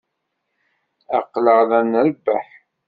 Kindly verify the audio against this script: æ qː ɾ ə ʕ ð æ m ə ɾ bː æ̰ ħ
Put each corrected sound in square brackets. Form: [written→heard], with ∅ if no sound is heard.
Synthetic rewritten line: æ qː [ɾ→l] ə [ʕ→ʁ] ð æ [m→n] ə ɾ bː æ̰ ħ